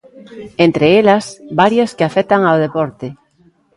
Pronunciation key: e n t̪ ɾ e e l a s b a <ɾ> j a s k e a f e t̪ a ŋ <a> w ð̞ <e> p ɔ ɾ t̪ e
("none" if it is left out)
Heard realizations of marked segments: ɾ, a, e

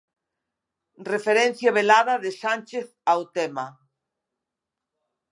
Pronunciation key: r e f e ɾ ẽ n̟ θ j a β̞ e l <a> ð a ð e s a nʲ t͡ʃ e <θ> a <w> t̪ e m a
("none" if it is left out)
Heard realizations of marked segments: a, θ, w

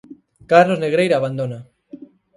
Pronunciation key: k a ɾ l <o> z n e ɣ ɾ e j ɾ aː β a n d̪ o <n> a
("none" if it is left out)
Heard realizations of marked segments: o, n

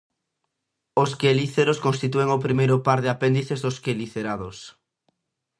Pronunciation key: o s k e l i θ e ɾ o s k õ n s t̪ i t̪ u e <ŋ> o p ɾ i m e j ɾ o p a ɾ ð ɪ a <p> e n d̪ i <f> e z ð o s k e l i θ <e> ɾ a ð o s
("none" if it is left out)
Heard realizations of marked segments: ŋ, p, θ, e

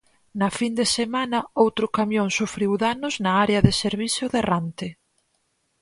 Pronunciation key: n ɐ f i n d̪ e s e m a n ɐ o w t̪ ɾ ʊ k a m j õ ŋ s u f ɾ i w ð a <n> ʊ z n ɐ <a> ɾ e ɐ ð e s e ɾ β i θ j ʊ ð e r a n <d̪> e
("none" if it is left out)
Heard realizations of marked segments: n, a, t̪

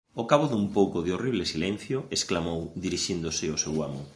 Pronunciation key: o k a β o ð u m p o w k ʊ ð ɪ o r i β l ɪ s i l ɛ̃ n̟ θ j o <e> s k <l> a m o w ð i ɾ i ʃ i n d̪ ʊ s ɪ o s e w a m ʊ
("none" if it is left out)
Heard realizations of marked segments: e, l

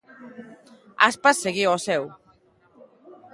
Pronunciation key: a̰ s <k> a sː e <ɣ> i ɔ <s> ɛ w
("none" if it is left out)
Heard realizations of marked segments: p, ɣ, s

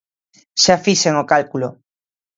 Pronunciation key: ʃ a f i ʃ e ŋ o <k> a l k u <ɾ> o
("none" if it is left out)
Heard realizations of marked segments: k, l

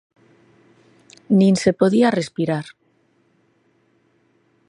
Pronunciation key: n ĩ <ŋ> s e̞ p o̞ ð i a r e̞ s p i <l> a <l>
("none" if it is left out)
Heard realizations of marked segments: n, ɾ, ɾ

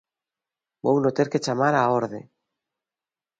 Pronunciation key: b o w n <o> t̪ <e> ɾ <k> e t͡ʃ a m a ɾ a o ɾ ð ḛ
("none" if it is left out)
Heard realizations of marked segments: o, e, k

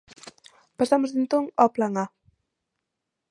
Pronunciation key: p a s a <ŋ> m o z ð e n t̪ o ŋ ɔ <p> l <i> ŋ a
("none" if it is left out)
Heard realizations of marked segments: none, p, a

